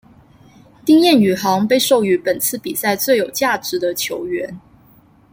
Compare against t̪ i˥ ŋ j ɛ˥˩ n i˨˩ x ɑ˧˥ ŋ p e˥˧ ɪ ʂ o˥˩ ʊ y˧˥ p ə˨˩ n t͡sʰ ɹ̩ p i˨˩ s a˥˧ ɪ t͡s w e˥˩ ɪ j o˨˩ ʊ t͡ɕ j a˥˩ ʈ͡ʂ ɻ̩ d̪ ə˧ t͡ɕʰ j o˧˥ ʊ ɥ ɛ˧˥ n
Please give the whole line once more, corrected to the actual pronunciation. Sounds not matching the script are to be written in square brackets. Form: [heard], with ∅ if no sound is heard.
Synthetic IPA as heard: t̪ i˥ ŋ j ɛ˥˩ n [y˨˩] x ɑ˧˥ ŋ p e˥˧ ɪ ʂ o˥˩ ʊ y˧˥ p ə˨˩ n t͡sʰ ɹ̩ p i˨˩ s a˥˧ ɪ t͡s w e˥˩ ɪ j o˨˩ ʊ t͡ɕ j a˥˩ ʈ͡ʂ ɻ̩ d̪ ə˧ t͡ɕʰ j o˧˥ ʊ ɥ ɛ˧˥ n